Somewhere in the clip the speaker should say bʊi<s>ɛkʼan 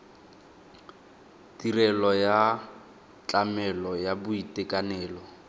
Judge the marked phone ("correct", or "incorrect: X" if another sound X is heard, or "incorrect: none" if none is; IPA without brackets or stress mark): incorrect: t